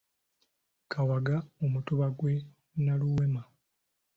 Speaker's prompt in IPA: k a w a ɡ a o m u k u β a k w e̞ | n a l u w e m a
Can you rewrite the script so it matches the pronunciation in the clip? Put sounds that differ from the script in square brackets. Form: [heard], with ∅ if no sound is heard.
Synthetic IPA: k a w a ɡ a o m u [t] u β a [ɡ] w e̞ | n a l u w e m a

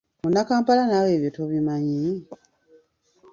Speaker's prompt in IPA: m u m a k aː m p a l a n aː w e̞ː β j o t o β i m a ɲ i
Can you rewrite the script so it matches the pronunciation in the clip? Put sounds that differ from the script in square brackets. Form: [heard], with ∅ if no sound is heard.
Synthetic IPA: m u [n] a k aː m p a l a n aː w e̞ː β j o t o β i m a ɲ i

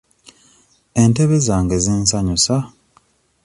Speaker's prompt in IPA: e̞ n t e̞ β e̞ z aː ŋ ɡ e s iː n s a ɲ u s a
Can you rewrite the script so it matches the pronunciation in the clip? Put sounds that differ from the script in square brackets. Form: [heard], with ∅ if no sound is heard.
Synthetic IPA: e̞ n t e̞ β e̞ z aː ŋ ɡ e [z] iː n s a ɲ u s a

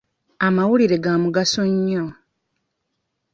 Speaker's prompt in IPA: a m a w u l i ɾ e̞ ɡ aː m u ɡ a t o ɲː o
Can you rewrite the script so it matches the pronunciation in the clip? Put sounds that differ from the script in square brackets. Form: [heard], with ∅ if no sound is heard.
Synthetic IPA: a m a w u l i ɾ e̞ ɡ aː m u ɡ a [s] o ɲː o

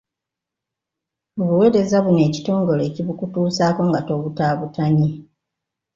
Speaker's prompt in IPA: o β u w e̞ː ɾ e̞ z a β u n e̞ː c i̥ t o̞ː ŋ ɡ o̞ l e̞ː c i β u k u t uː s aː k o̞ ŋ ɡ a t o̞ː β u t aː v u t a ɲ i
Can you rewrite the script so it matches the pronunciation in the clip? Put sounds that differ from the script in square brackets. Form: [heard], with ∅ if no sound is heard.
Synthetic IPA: o β u w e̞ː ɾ e̞ z a β u n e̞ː c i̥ t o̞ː ŋ ɡ o̞ l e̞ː c i β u k u t uː s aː k o̞ ŋ ɡ a t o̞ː β u t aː [β] u t a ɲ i

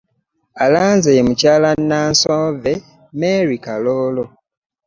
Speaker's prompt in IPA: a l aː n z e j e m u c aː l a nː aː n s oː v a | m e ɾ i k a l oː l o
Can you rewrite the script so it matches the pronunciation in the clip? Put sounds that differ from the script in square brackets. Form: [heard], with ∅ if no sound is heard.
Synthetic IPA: a l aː n z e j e m u c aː l a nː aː n s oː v [e] | m e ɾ i k a l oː l o

